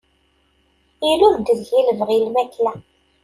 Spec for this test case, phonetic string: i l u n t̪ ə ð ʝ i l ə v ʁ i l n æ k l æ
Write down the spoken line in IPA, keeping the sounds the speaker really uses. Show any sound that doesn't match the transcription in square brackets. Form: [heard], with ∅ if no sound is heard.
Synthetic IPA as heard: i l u n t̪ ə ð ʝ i l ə v ʁ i l [m] æ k l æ